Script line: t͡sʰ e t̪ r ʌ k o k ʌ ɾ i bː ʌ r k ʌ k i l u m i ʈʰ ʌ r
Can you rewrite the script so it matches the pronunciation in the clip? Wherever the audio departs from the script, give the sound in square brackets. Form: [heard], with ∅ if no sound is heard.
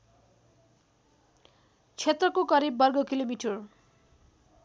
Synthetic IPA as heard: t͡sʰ e t̪ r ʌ k o k ʌ ɾ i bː ʌ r [ɡ] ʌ k i l [o] m i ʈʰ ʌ r